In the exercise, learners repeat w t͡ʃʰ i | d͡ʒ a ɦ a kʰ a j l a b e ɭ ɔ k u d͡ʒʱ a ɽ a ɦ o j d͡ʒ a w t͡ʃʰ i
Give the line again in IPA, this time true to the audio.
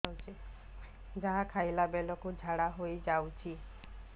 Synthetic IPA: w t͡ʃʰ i | d͡ʒ a ɦ a kʰ a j l a b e l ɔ k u d͡ʒʱ a ɽ a ɦ o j d͡ʒ a w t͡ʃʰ i